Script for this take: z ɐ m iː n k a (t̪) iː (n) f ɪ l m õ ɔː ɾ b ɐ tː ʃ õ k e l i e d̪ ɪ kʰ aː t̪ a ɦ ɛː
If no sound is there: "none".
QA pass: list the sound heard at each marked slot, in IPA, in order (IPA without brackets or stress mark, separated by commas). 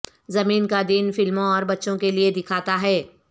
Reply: d̪, n